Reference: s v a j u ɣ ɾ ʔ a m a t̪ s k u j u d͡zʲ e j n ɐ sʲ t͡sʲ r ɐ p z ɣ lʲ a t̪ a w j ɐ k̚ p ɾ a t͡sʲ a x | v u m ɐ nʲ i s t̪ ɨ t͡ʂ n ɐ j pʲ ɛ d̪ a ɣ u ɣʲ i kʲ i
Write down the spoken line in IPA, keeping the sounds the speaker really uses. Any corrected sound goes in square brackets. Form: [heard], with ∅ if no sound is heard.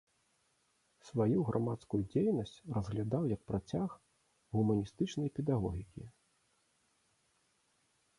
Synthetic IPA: s v a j u ɣ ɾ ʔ a m a t̪ s k u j u d͡zʲ e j n ɐ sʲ t͡sʲ r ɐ [∅] z ɣ lʲ a [d̪] a w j ɐ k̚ p ɾ a t͡sʲ a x | [ɣ] u m ɐ nʲ i s t̪ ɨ t͡ʂ n ɐ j pʲ ɛ d̪ a ɣ [ɔ] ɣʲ i kʲ i